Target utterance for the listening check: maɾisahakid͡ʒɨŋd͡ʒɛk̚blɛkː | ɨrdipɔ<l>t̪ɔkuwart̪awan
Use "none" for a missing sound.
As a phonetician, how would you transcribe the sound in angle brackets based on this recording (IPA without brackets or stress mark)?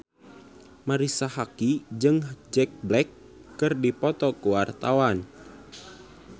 none